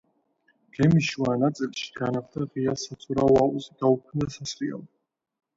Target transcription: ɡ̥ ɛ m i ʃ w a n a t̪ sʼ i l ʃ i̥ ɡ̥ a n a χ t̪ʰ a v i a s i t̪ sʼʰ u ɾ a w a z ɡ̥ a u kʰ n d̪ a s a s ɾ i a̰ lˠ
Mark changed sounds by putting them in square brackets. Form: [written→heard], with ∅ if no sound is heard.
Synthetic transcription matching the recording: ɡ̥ ɛ m i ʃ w a n a t̪ sʼ i l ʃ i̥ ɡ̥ a n a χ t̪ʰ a [v→ʁ] i a s [i→a] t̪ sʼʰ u ɾ a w a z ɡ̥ a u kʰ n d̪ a s a s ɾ i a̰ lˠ